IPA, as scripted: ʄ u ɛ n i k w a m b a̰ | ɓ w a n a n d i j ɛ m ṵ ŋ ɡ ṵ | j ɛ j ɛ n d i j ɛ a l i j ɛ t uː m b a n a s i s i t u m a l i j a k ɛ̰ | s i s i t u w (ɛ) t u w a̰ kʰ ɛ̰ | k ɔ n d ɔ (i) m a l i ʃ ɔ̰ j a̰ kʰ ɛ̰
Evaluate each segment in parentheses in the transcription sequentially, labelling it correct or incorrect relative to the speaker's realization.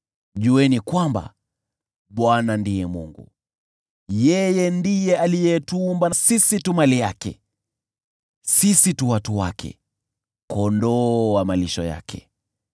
incorrect, incorrect

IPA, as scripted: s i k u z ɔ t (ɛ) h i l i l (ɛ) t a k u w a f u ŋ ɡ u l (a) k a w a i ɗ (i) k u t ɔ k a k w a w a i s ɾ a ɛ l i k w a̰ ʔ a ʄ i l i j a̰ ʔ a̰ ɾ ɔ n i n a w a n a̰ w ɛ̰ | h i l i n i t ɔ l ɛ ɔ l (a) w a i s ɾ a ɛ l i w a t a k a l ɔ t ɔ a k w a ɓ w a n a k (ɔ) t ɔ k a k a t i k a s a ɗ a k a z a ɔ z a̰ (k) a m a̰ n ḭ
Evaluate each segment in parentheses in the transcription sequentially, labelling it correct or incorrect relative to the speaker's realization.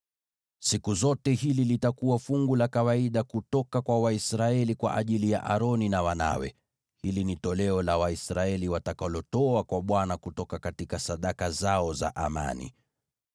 correct, incorrect, correct, incorrect, correct, incorrect, incorrect

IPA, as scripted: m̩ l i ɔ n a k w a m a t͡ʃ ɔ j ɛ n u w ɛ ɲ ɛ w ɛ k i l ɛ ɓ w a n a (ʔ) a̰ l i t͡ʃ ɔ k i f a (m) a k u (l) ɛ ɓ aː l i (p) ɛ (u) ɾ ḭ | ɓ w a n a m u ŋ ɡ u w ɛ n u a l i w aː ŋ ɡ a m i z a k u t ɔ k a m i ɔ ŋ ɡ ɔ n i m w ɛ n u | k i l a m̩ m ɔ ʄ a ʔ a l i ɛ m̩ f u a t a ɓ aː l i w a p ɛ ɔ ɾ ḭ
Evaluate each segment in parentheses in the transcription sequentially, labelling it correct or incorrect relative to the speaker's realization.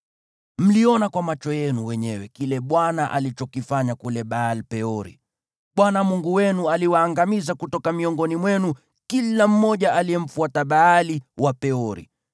correct, incorrect, correct, correct, incorrect

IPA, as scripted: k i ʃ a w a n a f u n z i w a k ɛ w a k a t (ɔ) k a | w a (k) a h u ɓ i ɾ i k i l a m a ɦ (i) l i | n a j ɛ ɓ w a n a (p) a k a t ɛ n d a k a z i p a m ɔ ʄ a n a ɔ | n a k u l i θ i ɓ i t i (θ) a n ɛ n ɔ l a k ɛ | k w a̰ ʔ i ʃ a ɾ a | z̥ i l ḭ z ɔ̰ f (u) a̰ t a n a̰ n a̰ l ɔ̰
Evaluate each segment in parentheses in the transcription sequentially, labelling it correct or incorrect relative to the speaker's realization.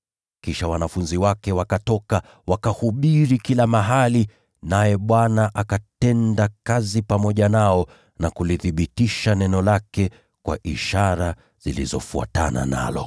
correct, correct, incorrect, incorrect, incorrect, correct

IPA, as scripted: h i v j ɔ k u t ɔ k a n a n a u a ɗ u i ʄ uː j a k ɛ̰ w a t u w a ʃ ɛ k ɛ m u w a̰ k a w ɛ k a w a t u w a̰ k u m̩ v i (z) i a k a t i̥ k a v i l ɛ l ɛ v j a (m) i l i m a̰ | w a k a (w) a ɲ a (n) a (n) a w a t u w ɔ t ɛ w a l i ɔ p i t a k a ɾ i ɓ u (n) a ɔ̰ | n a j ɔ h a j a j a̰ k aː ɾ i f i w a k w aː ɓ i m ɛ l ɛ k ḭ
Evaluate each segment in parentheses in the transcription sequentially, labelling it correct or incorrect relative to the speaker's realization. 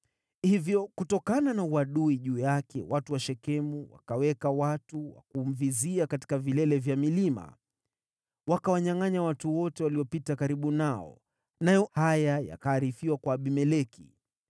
correct, correct, correct, incorrect, incorrect, correct

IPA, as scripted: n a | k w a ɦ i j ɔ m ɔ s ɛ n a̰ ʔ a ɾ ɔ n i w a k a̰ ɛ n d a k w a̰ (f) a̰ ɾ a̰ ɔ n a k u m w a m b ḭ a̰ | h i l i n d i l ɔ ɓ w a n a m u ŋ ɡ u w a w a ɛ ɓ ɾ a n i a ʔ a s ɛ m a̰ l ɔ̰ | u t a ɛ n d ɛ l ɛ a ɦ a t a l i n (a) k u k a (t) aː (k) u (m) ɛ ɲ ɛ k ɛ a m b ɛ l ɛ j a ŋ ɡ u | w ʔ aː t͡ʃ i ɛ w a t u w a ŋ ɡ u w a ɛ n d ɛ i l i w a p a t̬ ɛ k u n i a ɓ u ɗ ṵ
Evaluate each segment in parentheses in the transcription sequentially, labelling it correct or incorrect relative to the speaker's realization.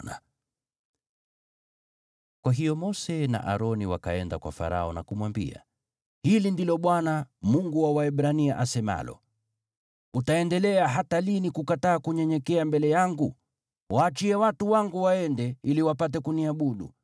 correct, incorrect, correct, correct, incorrect

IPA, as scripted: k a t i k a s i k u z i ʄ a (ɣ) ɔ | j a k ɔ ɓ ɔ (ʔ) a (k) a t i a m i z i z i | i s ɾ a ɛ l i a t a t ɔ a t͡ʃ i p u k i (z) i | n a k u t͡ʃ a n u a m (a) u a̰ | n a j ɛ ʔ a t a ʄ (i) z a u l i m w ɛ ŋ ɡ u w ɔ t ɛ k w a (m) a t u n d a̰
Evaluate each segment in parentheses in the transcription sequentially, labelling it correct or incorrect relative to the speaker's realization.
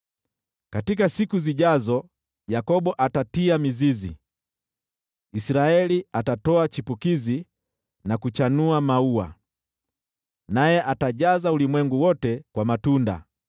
incorrect, correct, incorrect, correct, correct, incorrect, correct

